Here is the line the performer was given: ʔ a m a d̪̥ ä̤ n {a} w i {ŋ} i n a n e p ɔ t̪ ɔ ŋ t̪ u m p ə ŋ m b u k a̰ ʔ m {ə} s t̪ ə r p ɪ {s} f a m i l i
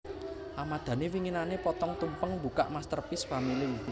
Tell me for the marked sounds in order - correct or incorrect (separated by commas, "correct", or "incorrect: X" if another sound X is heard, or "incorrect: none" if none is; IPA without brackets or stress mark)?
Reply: incorrect: e, correct, incorrect: a, correct